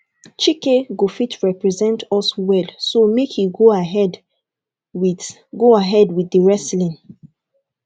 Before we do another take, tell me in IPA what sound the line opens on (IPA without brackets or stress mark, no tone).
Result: t͡ʃ